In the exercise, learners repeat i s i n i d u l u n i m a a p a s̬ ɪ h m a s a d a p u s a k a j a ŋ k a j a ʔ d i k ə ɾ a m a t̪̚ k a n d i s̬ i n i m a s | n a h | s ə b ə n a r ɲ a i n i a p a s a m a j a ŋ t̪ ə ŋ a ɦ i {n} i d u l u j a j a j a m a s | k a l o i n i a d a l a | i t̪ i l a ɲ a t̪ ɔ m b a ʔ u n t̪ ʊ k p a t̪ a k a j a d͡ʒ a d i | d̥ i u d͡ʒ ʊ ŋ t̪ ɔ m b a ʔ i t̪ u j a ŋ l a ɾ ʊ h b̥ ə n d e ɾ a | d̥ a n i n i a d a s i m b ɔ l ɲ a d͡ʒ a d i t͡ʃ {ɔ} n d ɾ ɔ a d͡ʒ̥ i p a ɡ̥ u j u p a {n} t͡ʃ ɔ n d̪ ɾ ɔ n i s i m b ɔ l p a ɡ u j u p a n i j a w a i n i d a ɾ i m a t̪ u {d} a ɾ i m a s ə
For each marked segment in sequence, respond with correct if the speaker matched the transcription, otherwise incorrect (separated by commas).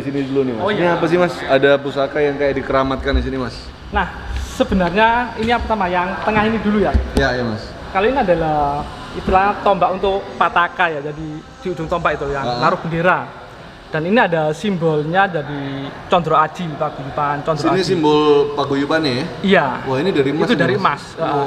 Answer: correct, correct, correct, correct